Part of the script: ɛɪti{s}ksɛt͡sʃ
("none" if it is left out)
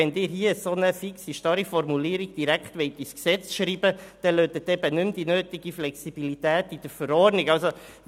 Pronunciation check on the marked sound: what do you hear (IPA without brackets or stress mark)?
s